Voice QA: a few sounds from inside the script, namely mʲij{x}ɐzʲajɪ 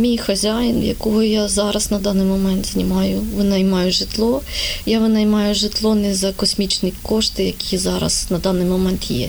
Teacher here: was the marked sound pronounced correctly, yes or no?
yes